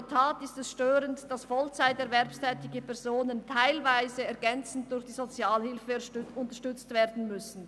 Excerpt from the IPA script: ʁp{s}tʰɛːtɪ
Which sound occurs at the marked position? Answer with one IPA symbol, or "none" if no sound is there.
s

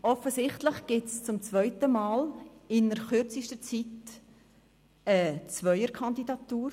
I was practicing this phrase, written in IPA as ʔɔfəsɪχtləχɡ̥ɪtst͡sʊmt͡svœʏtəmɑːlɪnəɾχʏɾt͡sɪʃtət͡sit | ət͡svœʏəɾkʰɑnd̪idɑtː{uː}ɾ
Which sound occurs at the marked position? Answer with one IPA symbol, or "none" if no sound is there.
uː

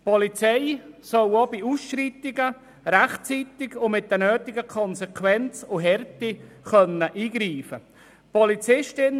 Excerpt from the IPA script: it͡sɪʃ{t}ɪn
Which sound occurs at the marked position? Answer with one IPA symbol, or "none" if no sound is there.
t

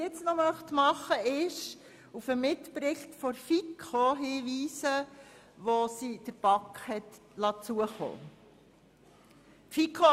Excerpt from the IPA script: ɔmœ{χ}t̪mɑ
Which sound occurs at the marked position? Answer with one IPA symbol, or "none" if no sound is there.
χ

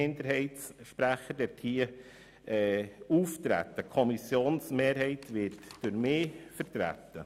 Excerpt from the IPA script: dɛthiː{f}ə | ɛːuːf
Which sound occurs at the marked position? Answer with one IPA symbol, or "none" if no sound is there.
none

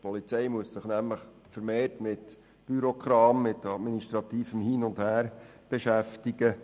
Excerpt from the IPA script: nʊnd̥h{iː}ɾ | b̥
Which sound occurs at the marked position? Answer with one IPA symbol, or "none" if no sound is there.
æː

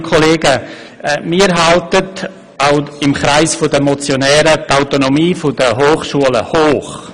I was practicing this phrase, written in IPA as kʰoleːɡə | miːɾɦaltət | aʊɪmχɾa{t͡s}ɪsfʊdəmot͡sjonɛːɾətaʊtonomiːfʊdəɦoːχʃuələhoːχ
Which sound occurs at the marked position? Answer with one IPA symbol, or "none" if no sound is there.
none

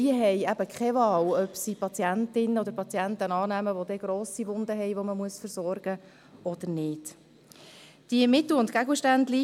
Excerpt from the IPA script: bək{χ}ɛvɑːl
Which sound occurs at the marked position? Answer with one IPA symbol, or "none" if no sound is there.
χ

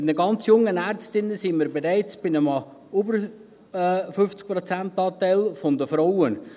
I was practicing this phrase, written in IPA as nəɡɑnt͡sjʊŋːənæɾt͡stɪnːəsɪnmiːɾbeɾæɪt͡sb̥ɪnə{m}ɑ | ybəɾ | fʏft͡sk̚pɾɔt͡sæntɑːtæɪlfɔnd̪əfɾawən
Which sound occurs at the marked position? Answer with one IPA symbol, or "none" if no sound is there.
m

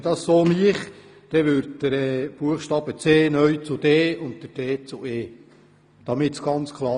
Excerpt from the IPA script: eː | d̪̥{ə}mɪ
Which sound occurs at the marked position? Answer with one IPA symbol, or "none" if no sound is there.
ɑ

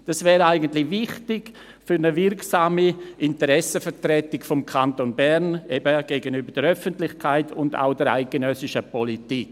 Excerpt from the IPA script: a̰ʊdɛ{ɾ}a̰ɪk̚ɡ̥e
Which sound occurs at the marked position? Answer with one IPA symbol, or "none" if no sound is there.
ɾ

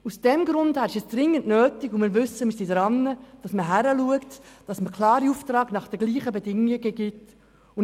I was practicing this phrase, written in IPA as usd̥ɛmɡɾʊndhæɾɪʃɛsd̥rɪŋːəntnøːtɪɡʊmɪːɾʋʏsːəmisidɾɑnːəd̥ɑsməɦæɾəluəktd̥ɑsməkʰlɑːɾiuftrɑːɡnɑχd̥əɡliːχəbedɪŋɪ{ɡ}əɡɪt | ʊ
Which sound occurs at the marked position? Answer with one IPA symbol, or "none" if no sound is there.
ɡ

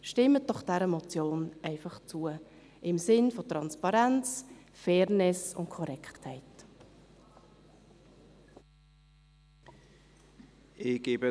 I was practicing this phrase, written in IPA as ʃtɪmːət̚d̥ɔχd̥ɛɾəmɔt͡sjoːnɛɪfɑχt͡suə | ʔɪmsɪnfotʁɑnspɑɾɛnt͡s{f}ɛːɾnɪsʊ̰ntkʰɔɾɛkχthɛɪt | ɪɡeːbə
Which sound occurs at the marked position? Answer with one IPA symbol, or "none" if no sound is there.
f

